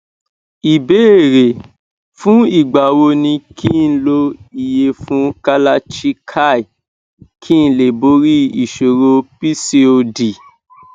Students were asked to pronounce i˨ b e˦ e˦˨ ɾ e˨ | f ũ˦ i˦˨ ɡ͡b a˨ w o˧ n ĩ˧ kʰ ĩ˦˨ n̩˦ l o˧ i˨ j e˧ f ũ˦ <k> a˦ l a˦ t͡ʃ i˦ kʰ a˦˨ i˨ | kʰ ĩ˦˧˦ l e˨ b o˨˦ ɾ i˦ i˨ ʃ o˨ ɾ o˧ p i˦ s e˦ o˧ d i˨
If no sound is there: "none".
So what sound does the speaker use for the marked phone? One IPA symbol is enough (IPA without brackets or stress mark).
k